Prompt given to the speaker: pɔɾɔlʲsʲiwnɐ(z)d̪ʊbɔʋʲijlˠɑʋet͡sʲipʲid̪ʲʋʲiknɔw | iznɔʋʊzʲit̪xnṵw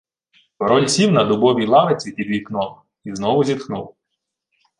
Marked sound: incorrect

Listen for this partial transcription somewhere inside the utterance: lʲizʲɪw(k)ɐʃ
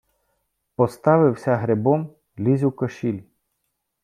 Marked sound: correct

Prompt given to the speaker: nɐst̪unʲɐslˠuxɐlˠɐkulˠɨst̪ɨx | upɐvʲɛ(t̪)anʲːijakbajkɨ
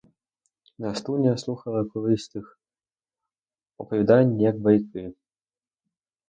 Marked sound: incorrect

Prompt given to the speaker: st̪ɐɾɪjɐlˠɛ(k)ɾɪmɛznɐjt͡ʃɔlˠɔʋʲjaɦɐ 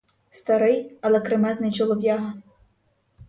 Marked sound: correct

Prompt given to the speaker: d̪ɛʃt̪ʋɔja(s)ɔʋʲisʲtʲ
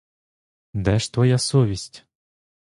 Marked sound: correct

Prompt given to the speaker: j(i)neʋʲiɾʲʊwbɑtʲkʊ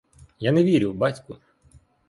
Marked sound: incorrect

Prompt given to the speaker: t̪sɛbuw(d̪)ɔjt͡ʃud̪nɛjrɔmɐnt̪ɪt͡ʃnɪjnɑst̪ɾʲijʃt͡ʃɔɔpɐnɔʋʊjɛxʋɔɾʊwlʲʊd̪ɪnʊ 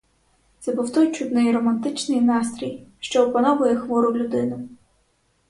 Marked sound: incorrect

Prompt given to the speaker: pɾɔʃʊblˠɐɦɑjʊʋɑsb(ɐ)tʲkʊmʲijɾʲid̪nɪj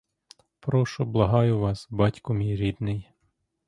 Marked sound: incorrect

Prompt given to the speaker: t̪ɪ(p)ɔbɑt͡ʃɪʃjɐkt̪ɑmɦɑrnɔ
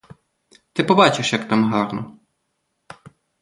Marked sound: correct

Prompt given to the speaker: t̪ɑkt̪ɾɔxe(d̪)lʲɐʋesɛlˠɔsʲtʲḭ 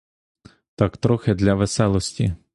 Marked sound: correct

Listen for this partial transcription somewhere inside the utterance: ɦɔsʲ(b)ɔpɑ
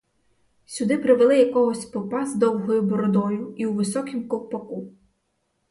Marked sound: incorrect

